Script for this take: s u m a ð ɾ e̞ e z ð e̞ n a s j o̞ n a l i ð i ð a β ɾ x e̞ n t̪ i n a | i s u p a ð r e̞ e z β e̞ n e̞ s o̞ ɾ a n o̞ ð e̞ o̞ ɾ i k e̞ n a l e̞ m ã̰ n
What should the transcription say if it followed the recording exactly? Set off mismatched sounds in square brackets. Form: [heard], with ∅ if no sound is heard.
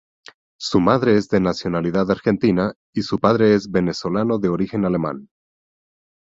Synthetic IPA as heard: s u m a ð ɾ e̞ e z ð e̞ n a s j o̞ n a l i ð [a] ð a [∅] ɾ x e̞ n t̪ i n a | i s u p a ð [ɾ] e̞ e z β e̞ n e̞ s o̞ [l] a n o̞ ð e̞ o̞ ɾ i [x] e̞ n a l e̞ m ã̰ n